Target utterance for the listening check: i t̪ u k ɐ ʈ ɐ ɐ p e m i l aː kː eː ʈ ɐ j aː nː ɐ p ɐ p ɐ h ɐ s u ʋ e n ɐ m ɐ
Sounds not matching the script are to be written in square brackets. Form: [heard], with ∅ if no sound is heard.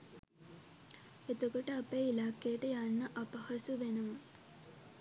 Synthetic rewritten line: [e] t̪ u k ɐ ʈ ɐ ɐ p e [∅] i l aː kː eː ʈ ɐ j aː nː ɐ [ʔ] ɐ p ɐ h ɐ s u ʋ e n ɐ m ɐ

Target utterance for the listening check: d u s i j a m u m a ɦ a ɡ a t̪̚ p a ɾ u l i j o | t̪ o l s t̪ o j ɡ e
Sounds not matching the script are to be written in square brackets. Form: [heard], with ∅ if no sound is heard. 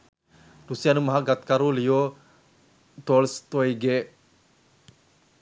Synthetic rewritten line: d u s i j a [n] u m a ɦ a ɡ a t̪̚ [k] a ɾ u l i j o | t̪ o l s t̪ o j ɡ e

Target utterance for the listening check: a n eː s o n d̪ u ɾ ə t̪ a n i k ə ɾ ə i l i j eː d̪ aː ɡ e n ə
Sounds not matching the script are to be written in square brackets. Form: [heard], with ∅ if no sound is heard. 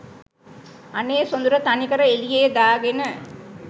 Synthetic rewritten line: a n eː s o n d̪ u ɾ ə t̪ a n i k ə ɾ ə [e] l i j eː d̪ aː ɡ e n ə

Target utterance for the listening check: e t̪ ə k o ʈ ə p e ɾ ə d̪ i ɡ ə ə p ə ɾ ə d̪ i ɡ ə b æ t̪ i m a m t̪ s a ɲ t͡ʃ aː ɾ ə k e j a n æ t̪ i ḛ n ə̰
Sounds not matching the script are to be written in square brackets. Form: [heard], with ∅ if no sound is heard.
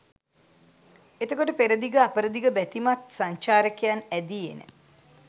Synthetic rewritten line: e t̪ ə k o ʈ ə p e ɾ ə d̪ i ɡ ə [a] p ə ɾ ə d̪ i ɡ ə b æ t̪ i m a [∅] t̪ s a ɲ t͡ʃ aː ɾ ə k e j a n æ [d̪] i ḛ n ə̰

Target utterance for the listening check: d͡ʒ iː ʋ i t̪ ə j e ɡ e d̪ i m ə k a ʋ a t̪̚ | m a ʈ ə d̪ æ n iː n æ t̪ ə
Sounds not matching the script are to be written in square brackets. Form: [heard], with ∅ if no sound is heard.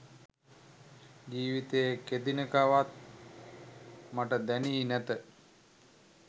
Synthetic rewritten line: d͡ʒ iː ʋ i t̪ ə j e [k] e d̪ i [n] ə k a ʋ a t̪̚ | m a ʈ ə d̪ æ n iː n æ t̪ ə

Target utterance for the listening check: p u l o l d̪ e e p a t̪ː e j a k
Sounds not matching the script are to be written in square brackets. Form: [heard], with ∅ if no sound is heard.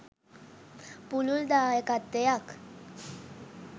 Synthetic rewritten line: p u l [u] l d̪ [a] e [k] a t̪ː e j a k

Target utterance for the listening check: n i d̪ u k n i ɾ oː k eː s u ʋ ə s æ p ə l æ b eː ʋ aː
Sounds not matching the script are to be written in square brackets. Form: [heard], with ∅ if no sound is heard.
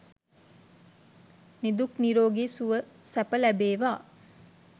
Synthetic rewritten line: n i d̪ u k n i ɾ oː [ɡ] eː s u ʋ ə s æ p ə l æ b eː ʋ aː

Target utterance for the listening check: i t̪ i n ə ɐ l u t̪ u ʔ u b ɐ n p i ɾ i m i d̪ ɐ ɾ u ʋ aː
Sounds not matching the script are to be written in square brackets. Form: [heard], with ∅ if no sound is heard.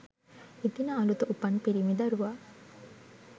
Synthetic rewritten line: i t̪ i n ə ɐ l u t̪ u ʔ u [p] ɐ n p i ɾ i m i d̪ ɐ ɾ u ʋ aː

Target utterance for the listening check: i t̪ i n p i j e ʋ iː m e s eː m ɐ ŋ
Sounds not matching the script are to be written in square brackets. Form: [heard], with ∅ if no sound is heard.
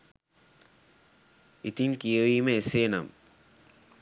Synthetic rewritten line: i t̪ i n [k] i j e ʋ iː m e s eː [n] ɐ [m]

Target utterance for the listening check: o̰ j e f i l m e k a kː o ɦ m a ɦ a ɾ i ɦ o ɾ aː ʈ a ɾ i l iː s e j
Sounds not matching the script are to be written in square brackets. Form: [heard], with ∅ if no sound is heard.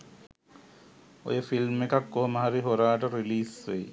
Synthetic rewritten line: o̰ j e f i l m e k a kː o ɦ m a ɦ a ɾ i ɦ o ɾ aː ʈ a ɾ i l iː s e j

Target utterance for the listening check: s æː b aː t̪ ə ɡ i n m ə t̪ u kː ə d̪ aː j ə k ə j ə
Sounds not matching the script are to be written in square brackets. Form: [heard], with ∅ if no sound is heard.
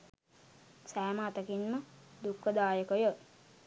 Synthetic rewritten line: s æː [m] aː t̪ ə [k] i n m ə [d̪] u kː ə d̪ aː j ə k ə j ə

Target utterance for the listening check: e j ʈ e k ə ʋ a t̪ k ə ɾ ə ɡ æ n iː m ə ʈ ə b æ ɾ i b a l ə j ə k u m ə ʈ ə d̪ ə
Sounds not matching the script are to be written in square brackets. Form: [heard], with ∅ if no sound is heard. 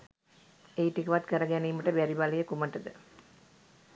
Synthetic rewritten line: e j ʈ [i] k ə ʋ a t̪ k ə ɾ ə ɡ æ n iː m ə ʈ ə b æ ɾ i b a l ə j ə k u m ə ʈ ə d̪ ə

